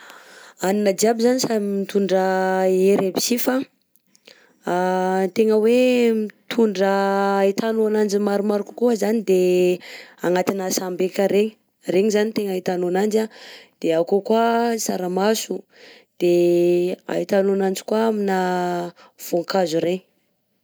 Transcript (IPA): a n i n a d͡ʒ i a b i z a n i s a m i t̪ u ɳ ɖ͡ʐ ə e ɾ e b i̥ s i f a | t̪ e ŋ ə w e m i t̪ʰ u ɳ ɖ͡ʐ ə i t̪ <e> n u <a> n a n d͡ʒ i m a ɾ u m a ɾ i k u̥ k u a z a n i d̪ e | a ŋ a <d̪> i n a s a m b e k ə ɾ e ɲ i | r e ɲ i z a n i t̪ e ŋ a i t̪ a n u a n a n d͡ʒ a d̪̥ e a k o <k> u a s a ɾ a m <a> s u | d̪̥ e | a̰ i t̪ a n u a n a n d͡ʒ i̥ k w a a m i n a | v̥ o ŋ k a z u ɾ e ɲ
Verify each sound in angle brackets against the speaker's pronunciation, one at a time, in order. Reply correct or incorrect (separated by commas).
incorrect, correct, incorrect, correct, correct